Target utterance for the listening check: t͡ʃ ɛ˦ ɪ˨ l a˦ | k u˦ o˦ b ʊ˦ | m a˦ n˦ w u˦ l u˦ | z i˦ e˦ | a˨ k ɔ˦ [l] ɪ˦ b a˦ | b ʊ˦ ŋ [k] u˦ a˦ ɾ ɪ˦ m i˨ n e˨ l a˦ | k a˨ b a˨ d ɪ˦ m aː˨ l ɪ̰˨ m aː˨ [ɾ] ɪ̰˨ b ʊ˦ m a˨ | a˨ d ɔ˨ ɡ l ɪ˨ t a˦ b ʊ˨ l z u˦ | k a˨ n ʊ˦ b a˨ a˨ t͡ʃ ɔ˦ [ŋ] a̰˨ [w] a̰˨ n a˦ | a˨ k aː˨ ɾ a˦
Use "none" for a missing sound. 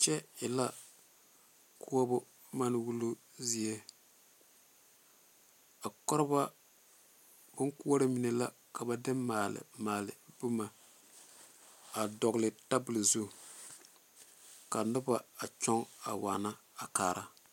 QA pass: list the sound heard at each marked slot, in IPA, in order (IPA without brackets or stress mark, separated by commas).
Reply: ɾ, k, l, ŋ, w